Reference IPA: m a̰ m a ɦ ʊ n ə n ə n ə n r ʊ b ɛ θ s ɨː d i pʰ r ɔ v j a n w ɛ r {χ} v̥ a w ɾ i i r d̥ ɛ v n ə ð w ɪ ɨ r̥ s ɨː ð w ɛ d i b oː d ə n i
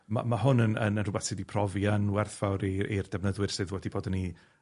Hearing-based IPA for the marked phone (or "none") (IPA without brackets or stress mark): θ